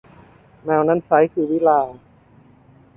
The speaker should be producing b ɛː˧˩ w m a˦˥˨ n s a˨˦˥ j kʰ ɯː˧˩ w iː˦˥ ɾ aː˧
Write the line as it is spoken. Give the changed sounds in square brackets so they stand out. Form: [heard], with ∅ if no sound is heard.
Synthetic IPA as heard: [m] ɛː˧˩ w [n] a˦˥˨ n s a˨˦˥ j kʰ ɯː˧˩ w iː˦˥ [l] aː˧